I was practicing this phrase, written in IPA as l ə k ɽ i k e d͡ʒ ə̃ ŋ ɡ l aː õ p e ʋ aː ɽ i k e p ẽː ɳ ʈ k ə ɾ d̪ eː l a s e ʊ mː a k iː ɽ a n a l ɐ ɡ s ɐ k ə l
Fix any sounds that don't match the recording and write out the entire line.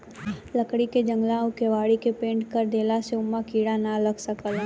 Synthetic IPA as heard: l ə k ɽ i k e d͡ʒ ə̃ ŋ ɡ l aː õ k e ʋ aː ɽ i k e p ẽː ɳ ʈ k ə ɾ d̪ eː l a s e ʊ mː a k iː ɽ a n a l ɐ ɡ s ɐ k ə l